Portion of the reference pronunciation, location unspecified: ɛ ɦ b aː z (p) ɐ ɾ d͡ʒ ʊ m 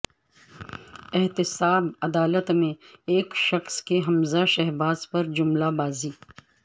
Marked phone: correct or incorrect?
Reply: correct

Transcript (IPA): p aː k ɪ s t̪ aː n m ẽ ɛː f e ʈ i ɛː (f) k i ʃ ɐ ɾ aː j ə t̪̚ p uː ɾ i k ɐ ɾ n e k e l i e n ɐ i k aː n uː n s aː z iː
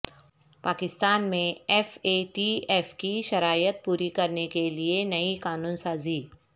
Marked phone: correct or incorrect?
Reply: correct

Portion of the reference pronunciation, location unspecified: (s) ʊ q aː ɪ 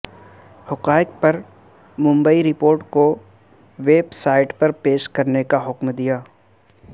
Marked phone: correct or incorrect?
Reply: incorrect: h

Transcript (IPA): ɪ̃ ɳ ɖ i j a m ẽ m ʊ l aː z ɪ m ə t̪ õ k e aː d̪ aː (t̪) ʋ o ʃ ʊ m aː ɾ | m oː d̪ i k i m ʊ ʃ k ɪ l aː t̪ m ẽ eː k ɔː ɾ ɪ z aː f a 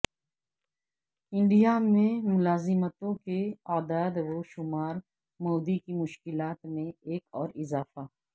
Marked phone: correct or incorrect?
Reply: incorrect: d̪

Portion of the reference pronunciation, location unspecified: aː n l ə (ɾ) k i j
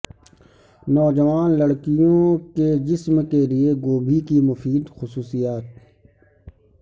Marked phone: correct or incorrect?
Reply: incorrect: ɽ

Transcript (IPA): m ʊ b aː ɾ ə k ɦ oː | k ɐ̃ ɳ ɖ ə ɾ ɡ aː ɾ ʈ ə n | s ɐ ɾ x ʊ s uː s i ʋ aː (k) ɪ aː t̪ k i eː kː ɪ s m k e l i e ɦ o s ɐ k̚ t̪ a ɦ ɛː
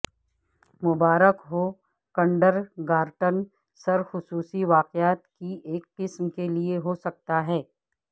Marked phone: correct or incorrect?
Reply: incorrect: q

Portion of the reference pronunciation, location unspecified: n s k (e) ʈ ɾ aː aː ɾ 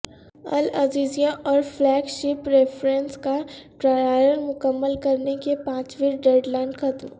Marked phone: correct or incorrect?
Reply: incorrect: a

